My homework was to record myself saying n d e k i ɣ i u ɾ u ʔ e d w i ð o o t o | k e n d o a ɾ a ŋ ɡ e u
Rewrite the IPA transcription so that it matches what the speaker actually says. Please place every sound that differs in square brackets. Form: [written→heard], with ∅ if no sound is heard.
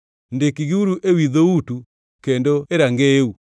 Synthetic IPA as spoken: n d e k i ɣ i u ɾ u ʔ e [d→∅] w i ð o [o→u] t [o→u] | k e n d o [a→e] ɾ a ŋ ɡ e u